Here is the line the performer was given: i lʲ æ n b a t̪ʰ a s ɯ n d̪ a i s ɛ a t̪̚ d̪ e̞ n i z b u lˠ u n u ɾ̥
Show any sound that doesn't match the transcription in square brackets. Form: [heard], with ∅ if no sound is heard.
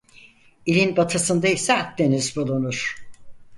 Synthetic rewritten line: i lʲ [i] n b a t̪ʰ a s ɯ n d̪ a i s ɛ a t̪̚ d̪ e̞ n i z b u lˠ u n u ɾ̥